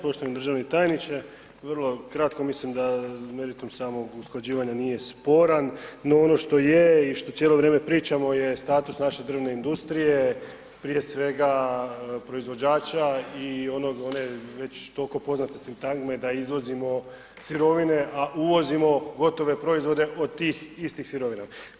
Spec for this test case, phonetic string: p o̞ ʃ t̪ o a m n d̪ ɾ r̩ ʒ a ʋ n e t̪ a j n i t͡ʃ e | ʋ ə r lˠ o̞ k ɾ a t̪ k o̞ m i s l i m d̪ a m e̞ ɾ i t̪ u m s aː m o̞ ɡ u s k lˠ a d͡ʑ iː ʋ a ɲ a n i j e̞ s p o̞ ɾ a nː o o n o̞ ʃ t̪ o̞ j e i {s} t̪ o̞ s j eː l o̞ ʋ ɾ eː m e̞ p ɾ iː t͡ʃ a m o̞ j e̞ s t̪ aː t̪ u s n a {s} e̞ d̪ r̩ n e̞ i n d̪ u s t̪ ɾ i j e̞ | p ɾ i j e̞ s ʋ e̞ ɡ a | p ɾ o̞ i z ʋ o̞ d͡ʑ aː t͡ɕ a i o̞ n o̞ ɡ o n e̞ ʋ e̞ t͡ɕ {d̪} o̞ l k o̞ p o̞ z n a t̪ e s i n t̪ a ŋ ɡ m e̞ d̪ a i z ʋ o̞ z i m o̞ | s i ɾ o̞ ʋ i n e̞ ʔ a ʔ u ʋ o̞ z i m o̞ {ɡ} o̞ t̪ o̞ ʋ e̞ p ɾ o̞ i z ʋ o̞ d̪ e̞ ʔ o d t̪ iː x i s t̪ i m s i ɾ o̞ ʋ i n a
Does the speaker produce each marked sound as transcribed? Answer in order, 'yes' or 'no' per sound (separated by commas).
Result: no, no, no, yes